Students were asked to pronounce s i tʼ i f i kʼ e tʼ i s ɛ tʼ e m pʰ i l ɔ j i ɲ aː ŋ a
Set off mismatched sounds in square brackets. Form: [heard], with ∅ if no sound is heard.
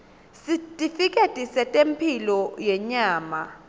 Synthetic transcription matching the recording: s i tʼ i f i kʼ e tʼ i s ɛ tʼ e m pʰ i l ɔ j [ɛ] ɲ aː [m] a